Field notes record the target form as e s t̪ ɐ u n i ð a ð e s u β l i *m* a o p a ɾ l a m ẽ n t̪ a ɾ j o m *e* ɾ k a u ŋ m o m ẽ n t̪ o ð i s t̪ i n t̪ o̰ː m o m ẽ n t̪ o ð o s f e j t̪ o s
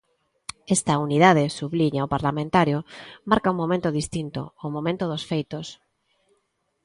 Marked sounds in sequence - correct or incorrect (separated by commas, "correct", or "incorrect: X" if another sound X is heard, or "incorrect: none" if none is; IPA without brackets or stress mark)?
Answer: incorrect: ɲ, incorrect: a